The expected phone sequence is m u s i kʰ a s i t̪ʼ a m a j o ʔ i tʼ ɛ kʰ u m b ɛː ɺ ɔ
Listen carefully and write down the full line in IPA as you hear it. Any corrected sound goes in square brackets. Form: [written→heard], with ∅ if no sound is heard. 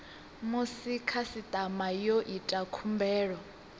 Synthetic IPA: m u s i kʰ a s i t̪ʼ a m a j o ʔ i tʼ [ɛ→a] kʰ u m b ɛː ɺ ɔ